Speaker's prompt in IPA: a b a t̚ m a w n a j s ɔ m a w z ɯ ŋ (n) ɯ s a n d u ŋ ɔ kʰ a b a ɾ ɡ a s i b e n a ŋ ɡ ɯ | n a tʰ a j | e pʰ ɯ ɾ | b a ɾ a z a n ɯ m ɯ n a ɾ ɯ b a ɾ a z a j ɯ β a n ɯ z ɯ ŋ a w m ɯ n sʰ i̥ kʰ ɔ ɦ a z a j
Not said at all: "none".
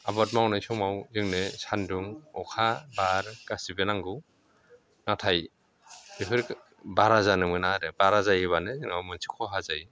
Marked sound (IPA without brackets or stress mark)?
n